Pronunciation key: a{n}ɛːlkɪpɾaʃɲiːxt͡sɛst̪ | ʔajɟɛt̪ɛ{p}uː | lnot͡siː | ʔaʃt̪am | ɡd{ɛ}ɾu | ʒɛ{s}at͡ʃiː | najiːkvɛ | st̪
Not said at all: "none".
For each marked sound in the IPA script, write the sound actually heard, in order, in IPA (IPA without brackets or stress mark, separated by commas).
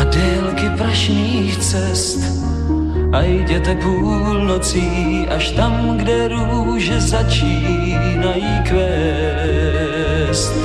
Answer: d, p, ɛ, z